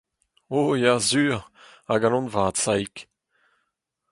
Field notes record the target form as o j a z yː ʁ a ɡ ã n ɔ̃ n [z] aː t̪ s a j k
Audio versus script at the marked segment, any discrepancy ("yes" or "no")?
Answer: yes